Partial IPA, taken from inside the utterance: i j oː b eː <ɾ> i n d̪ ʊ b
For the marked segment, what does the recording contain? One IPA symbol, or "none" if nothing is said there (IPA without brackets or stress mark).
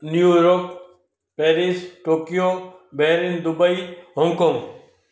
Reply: ɾ